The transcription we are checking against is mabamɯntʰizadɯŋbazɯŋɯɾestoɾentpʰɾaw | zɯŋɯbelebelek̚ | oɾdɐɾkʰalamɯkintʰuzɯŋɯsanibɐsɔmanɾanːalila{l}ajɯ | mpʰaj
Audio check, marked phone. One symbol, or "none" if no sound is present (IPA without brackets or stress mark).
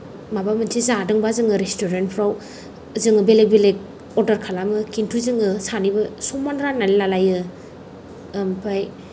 l